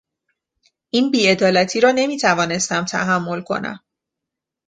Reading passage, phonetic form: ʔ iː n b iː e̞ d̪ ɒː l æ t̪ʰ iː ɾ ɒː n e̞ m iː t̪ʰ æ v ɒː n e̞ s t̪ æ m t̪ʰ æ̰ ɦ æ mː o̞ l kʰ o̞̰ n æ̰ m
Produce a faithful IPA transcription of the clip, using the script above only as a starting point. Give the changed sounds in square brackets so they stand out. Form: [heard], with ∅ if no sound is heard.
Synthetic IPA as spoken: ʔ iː n b iː e̞ d̪ ɒː l æ t̪ʰ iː ɾ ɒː n e̞ m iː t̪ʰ æ v ɒː n e̞ s t̪ æ m t̪ʰ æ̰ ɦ æ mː o̞ l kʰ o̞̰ n æ̰ m